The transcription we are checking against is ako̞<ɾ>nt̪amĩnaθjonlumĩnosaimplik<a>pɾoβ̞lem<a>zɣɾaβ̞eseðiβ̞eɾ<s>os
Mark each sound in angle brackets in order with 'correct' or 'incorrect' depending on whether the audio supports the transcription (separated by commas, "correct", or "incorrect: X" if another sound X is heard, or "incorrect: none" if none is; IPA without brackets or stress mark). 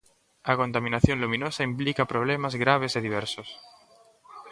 incorrect: none, correct, correct, correct